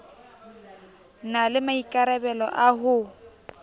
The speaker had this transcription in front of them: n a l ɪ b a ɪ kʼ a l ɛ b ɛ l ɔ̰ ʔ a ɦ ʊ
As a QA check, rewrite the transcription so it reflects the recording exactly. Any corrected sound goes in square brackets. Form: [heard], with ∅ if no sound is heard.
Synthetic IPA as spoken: n a l ɪ [m] a [i] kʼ a [ɾ] ɛ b ɛ l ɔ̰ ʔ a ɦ ʊ